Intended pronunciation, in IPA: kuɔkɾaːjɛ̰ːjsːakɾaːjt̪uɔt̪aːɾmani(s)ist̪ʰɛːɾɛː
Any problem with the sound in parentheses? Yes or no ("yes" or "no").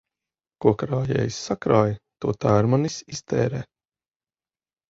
no